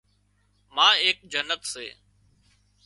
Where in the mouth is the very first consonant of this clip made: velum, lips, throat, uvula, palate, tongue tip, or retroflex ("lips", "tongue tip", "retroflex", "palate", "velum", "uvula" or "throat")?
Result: lips